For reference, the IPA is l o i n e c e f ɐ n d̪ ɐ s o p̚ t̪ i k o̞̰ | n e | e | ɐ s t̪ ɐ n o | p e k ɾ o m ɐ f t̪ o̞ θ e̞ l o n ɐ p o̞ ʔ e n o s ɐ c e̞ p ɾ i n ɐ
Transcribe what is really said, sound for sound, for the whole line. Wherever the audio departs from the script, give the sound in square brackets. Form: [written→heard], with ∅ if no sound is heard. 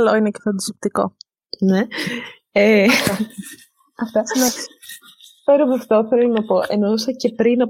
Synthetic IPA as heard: l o i n e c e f ɐ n d̪ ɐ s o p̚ t̪ i k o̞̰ | n e | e | ɐ [s→f] t̪ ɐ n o | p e [k→∅] ɾ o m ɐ f t̪ o̞ θ e̞ l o n ɐ p o̞ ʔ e n o s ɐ c e̞ p ɾ i n ɐ